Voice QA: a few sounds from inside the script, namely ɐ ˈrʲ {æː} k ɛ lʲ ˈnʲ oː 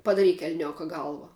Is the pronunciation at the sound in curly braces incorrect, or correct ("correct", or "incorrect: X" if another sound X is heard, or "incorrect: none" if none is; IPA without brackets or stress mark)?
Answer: incorrect: iː